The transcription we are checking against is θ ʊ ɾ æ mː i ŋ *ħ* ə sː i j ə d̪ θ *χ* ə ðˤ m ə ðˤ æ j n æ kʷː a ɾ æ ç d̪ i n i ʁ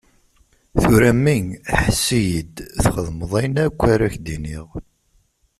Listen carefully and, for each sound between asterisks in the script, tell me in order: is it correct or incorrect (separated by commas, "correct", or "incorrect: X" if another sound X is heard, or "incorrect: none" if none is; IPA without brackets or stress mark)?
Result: correct, correct